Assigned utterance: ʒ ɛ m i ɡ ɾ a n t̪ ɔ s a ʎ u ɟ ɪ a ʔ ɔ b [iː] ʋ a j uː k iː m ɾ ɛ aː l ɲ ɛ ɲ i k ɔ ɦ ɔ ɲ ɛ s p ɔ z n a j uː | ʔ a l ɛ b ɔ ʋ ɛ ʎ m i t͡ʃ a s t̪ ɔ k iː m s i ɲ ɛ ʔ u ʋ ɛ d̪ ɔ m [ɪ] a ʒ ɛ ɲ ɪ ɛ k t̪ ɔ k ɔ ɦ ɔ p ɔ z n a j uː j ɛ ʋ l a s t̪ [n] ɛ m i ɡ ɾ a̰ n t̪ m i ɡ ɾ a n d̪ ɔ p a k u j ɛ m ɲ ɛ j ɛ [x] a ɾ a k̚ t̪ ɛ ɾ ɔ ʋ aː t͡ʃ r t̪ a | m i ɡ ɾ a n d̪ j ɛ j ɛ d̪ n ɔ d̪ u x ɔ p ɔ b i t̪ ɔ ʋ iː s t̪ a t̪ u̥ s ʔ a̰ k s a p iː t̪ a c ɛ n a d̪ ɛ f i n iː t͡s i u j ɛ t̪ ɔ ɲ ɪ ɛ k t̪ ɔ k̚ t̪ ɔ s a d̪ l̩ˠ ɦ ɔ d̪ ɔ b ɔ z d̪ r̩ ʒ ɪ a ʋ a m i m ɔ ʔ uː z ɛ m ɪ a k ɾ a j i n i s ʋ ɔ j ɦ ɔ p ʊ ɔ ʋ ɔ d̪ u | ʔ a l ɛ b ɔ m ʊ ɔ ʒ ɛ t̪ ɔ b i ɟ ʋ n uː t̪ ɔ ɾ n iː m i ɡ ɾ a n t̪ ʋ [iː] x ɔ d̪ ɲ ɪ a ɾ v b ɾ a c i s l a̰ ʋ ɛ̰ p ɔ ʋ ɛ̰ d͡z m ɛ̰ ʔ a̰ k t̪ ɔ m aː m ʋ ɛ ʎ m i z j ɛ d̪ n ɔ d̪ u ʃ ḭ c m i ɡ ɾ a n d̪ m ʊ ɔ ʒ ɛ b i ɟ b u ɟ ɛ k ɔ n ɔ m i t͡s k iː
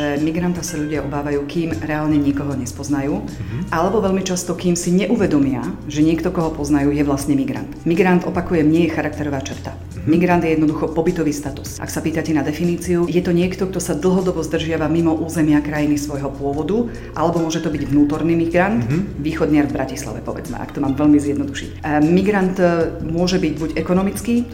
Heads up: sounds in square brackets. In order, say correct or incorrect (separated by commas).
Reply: incorrect, correct, incorrect, correct, correct